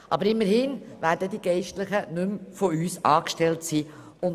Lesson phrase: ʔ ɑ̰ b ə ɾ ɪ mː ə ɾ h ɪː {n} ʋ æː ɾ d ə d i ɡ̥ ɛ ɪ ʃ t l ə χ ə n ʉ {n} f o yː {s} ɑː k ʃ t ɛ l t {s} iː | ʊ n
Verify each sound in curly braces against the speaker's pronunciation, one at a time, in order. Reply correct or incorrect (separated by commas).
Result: correct, incorrect, correct, correct